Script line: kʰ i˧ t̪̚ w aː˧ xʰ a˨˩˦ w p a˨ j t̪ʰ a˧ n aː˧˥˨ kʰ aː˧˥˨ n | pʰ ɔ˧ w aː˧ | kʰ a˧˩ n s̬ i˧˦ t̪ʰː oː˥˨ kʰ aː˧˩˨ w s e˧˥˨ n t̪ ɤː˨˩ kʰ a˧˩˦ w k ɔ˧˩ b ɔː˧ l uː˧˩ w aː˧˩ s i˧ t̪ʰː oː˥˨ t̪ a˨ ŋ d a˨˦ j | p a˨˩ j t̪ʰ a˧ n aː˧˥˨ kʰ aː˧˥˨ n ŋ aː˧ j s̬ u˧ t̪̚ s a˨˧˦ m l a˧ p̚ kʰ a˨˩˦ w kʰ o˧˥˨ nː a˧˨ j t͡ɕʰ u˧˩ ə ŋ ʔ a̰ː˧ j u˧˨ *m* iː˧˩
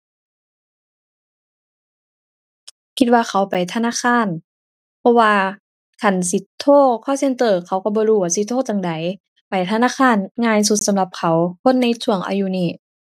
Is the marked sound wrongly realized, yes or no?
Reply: yes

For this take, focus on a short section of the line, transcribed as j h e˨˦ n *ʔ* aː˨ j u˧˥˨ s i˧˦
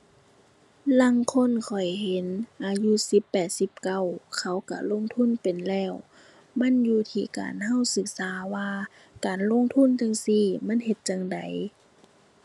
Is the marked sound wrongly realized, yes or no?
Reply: no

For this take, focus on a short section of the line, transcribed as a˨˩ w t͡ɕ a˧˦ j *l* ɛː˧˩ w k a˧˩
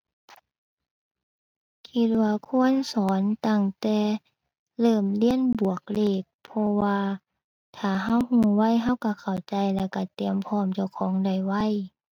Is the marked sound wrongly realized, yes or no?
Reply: no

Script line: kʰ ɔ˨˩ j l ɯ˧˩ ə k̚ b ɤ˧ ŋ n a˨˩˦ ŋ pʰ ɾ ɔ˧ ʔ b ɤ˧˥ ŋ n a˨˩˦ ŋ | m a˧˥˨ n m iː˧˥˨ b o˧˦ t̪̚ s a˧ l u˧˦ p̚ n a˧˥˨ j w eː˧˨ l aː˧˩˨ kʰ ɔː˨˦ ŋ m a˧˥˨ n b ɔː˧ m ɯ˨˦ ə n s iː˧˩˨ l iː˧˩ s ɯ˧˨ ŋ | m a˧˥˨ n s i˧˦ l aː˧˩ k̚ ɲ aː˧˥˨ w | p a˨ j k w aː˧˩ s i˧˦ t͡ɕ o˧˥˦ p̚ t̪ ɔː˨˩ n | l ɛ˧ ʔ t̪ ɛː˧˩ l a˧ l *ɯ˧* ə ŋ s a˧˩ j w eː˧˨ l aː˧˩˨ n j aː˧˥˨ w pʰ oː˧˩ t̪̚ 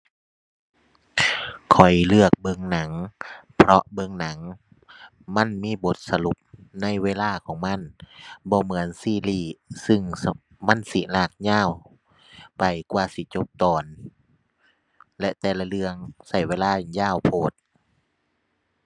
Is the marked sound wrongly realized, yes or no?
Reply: no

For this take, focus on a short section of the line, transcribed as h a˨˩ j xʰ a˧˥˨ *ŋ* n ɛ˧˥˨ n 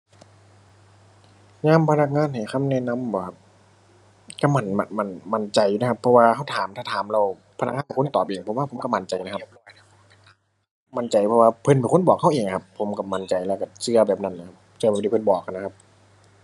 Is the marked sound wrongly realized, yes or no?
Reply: yes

